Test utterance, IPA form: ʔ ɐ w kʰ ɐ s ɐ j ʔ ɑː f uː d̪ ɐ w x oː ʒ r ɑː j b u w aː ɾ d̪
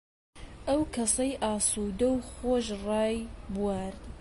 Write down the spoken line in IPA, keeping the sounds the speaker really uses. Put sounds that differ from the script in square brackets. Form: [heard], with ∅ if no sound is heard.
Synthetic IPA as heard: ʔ ɐ w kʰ ɐ s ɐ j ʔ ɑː [s] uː d̪ ɐ w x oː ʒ r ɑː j b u w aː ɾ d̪